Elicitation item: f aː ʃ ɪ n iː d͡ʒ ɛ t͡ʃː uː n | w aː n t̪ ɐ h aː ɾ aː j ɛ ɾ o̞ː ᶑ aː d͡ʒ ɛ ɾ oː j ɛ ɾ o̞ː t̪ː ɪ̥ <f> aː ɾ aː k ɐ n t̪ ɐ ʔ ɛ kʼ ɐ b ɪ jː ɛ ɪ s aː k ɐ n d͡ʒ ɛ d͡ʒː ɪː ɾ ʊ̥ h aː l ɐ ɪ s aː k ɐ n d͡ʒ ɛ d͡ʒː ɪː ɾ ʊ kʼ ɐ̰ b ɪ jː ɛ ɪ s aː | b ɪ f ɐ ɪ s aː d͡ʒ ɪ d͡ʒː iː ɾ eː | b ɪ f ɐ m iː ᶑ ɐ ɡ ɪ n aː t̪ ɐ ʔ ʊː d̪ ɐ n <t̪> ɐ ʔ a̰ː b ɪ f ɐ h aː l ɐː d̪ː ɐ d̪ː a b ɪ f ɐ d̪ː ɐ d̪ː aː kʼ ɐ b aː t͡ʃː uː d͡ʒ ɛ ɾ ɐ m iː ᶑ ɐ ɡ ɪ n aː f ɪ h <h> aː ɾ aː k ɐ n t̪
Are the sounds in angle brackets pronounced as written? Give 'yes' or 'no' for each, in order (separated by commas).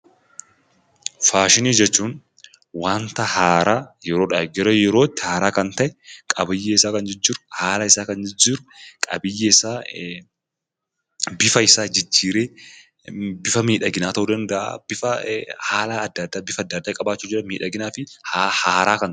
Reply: no, no, yes